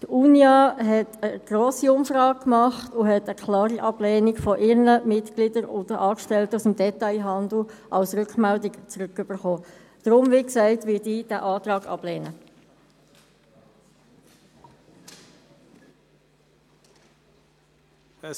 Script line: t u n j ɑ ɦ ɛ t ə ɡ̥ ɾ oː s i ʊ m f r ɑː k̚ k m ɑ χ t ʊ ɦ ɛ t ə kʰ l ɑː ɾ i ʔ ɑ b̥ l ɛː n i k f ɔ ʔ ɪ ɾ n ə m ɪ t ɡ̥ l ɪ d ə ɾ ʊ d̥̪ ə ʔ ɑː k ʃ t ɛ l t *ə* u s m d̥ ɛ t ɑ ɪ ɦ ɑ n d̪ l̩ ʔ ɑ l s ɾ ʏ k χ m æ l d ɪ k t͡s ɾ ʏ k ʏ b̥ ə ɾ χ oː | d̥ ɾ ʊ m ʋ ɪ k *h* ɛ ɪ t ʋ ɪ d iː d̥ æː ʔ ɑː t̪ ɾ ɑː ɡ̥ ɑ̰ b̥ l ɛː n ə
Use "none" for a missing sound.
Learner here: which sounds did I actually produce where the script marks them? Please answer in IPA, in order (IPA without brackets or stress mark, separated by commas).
ə, s